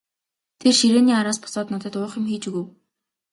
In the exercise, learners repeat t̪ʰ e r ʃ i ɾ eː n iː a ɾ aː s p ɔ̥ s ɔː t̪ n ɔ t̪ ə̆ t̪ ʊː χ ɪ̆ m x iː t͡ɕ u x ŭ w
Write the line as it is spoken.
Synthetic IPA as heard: t̪ʰ e r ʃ i ɾ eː n iː a ɾ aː s p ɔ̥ s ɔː t̪ n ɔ t̪ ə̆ t̪ ʊː χ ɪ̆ m x iː t͡ɕ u ɣ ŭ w